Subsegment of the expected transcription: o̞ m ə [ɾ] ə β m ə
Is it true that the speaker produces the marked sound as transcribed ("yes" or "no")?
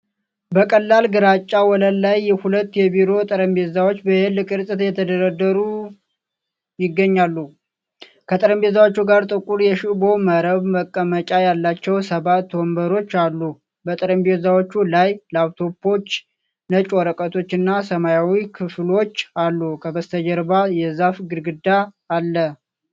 yes